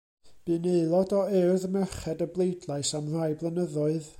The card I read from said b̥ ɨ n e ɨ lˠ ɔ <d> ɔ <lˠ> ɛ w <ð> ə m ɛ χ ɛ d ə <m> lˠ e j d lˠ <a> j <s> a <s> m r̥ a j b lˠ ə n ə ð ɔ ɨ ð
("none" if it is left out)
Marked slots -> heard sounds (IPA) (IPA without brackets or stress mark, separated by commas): d, none, ð, b, a, s, none